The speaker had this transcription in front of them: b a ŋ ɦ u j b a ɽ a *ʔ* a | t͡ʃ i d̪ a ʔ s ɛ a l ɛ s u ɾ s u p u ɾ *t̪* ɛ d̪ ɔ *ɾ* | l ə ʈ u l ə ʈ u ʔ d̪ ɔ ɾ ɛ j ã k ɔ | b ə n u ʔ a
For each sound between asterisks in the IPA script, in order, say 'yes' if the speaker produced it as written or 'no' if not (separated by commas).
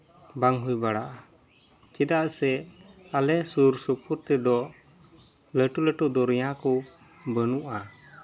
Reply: yes, yes, no